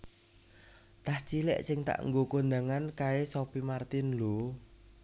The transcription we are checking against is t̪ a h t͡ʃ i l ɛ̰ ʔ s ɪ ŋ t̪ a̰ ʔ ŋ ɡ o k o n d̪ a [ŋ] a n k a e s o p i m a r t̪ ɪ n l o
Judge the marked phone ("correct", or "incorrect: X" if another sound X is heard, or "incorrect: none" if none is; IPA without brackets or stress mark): correct